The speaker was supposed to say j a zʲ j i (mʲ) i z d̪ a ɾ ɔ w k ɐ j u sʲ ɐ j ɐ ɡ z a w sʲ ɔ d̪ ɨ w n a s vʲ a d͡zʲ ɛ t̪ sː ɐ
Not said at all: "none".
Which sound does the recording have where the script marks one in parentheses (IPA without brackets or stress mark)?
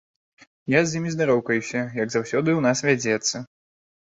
mʲ